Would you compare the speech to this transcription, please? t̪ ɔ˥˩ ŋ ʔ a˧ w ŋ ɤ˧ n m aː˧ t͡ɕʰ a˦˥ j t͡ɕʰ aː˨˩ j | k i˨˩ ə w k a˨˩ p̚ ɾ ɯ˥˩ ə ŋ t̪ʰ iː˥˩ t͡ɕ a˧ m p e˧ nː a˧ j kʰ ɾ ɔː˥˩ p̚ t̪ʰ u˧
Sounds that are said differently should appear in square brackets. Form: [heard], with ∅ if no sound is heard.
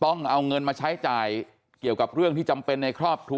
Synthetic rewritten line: t̪ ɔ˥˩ ŋ ʔ a˧ w ŋ ɤ˧ n m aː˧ t͡ɕʰ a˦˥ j [t͡ɕ] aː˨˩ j | k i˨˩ ə w k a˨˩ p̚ ɾ ɯ˥˩ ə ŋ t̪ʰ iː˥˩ t͡ɕ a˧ m p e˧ nː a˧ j kʰ ɾ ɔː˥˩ p̚ t̪ʰ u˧